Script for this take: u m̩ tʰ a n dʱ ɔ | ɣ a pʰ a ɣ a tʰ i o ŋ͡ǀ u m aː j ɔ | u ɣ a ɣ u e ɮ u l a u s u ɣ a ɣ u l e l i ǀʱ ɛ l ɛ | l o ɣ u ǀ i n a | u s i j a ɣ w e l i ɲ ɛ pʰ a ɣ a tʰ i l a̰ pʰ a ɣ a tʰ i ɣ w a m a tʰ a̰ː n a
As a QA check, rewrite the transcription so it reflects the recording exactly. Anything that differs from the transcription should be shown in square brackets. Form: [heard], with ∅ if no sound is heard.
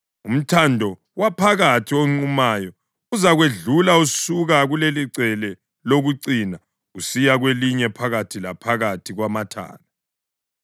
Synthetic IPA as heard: u m̩ tʰ a n dʱ ɔ | [w] a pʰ a ɣ a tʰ i o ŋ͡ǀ u m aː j ɔ | u [z] a ɣ [w] e ɮ u l a u s u ɣ a ɣ u l e l i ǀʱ ɛ l ɛ | l o ɣ u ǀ i n a | u s i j a ɣ w e l i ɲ ɛ pʰ a ɣ a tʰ i l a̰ pʰ a ɣ a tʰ i ɣ w a m a tʰ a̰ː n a